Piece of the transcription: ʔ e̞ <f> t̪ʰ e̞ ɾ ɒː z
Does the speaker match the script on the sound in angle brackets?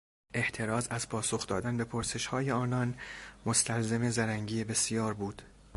no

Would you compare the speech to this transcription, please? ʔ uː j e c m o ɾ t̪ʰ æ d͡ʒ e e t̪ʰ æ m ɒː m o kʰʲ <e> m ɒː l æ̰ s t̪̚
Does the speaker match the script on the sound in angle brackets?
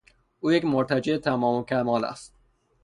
no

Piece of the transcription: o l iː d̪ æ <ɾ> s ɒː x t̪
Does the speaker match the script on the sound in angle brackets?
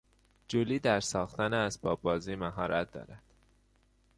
yes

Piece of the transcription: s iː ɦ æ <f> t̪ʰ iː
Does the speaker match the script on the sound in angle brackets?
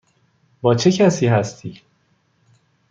no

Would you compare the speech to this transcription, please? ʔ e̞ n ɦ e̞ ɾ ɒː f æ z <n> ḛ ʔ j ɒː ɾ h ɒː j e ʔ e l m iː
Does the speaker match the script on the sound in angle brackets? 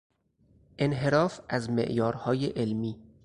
no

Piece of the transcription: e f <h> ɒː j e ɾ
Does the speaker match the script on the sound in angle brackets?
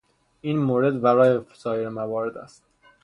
no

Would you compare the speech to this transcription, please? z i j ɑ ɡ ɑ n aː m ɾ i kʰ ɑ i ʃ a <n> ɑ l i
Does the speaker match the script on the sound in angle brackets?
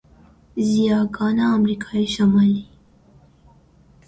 no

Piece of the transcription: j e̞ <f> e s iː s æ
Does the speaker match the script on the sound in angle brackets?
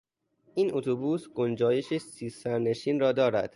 no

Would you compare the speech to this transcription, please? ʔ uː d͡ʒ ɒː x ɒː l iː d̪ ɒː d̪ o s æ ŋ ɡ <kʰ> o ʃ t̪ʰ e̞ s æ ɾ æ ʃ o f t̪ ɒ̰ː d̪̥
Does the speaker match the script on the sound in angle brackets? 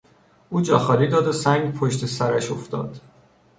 no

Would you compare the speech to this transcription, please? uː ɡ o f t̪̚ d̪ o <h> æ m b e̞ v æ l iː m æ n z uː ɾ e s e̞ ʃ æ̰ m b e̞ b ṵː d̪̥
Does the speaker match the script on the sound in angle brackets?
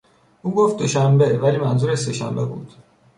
no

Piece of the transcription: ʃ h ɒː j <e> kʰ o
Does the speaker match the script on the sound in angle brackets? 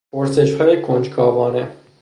yes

